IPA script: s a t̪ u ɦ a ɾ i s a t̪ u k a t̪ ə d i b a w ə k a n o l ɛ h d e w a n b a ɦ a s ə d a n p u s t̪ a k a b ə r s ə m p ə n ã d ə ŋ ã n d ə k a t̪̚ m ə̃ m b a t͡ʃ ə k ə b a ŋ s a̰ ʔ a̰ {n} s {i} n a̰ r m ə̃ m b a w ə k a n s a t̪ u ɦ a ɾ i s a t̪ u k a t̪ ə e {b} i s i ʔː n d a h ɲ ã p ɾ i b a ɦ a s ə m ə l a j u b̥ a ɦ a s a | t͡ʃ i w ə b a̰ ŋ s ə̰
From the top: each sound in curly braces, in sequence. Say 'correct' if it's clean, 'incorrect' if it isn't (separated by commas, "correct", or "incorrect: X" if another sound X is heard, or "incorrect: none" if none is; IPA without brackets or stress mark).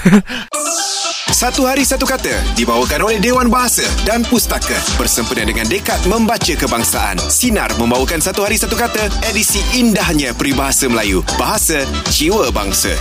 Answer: correct, correct, incorrect: d